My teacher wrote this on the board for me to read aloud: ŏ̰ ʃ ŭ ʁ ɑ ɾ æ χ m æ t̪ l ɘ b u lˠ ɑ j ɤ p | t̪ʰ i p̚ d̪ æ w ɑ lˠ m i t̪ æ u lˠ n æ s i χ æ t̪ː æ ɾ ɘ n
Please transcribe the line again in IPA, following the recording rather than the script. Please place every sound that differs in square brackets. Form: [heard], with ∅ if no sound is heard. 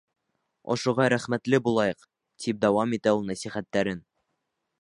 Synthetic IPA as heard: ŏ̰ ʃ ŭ ʁ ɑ ɾ æ χ m æ t̪ l ɘ b u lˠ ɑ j ɤ [q] | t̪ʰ i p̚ d̪ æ w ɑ [∅] m i t̪ æ u lˠ n æ s i χ æ t̪ː æ ɾ ɘ n